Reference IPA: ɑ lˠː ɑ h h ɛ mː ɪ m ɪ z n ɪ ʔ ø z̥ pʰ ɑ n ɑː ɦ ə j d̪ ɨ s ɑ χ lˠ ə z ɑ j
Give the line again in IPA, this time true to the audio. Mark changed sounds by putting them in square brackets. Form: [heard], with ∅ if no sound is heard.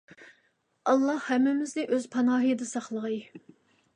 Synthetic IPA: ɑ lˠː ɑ h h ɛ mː ɪ m ɪ z n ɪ ʔ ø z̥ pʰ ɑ n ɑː ɦ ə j d̪ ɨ s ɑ χ lˠ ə [ʁ] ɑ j